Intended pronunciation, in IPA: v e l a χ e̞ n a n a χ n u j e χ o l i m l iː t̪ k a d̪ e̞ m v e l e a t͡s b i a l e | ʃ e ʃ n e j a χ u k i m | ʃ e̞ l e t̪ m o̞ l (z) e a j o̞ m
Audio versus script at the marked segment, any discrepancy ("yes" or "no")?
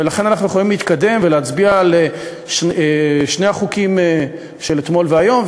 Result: yes